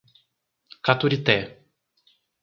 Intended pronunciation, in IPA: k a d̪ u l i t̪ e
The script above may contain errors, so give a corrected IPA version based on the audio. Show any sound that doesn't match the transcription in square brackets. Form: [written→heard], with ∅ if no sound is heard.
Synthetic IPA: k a [d̪→t̪] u [l→ɾ] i t̪ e